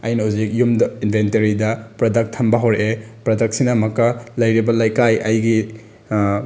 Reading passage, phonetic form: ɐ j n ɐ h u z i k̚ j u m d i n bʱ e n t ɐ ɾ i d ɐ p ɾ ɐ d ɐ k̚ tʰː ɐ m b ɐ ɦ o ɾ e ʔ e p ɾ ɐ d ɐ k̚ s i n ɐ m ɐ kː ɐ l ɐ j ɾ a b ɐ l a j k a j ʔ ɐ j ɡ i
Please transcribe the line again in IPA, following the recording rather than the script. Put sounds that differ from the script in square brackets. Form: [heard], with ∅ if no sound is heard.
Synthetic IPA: ɐ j n ɐ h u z i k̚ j u m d i n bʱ e n t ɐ ɾ i d ɐ p ɾ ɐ d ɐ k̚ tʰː ɐ m b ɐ ɦ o ɾ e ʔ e p ɾ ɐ d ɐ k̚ s i n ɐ m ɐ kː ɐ l ɐ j ɾ [i] b ɐ l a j k a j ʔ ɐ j ɡ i